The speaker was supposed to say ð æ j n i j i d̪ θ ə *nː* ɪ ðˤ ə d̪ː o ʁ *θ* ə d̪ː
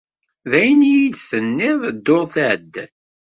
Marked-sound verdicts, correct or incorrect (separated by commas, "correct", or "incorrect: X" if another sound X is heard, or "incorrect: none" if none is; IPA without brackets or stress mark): correct, correct